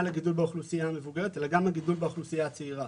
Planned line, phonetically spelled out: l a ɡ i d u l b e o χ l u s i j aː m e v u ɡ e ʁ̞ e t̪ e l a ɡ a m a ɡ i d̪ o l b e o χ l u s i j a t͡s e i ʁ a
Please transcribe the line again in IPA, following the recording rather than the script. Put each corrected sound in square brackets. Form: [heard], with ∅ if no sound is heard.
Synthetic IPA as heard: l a ɡ i d u l b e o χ l u s i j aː m e v u ɡ e ʁ̞ e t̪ e l a ɡ a m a ɡ i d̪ [u] l b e o χ l u s i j a t͡s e i ʁ a